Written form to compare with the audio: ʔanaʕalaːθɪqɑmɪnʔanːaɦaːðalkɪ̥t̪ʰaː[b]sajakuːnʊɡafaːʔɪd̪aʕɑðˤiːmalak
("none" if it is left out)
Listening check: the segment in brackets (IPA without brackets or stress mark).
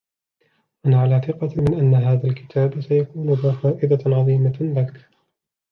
b